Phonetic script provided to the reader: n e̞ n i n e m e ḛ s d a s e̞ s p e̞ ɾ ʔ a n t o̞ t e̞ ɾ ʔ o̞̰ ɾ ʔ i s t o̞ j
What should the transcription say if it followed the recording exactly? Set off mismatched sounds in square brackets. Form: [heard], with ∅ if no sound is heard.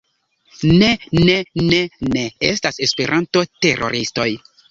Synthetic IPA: n e̞ n [e] n e [n] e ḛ s [t] a s e̞ s p e̞ ɾ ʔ a n t o̞ t e̞ ɾ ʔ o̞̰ ɾ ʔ i s t o̞ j